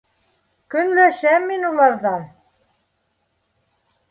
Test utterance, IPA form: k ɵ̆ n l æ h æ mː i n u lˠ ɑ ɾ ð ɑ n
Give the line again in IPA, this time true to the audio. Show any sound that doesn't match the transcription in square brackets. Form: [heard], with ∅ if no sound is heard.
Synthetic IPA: k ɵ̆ n l æ [ʃ] æ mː i n u lˠ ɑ ɾ ð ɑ n